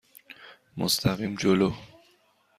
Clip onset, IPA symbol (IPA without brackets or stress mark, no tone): m